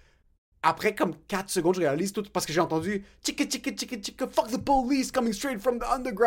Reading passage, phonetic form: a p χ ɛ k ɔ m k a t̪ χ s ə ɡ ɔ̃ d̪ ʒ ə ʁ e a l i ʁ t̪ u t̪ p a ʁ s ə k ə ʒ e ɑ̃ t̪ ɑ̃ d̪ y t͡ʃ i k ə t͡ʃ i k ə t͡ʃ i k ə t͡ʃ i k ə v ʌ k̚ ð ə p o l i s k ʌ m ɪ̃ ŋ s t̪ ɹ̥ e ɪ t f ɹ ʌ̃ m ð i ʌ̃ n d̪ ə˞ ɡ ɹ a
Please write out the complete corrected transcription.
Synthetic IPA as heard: a p χ ɛ k ɔ m k a t̪ χ s ə ɡ ɔ̃ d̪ ʒ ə ʁ e a l i z t̪ u t̪ p a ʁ s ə k ə ʒ e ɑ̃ t̪ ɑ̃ d̪ y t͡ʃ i k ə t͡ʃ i k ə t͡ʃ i k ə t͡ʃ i k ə f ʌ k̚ ð ə p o l i s k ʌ m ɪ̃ ŋ s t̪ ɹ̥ e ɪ t f ɹ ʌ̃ m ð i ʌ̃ n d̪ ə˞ ɡ ɹ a